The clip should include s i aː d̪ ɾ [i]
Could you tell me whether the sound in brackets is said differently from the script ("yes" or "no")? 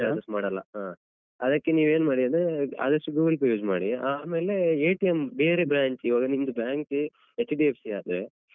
yes